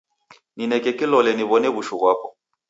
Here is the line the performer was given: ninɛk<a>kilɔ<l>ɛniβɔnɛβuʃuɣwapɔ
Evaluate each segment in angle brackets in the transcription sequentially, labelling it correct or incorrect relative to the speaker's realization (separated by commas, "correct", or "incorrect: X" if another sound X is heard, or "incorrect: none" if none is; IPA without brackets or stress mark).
incorrect: ɛ, correct